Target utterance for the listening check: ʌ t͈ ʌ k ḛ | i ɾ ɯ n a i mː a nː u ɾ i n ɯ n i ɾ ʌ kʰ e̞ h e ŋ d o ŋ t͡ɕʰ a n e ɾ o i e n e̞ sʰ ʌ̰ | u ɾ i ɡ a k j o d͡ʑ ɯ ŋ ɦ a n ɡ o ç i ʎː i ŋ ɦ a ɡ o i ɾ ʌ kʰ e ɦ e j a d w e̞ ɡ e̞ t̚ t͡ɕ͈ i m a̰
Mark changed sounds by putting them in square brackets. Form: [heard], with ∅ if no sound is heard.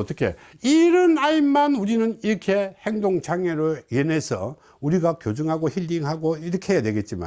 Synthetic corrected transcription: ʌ t͈ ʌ [kʰ] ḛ | i ɾ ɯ n a i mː a [n] u ɾ i n ɯ n i ɾ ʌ kʰ e̞ h e ŋ d o ŋ t͡ɕʰ a [ŋ] e ɾ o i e n e̞ sʰ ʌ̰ | u ɾ i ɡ a k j o d͡ʑ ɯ ŋ ɦ a [∅] ɡ o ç i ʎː i ŋ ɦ a ɡ o i ɾ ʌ kʰ e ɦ e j a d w e̞ ɡ e̞ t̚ t͡ɕ͈ i m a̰